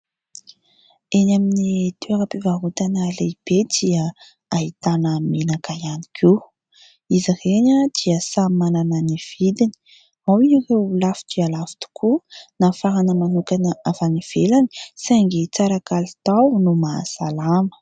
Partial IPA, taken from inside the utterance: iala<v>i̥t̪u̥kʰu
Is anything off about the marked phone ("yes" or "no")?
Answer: yes